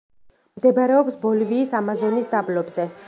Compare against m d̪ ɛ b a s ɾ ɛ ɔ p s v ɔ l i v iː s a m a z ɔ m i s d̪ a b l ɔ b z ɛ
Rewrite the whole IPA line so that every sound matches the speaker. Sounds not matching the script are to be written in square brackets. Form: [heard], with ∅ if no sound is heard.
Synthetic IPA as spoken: m d̪ ɛ b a [∅] ɾ ɛ ɔ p s [b] ɔ l i v iː s a m a z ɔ [n] i s d̪ a b l ɔ b z ɛ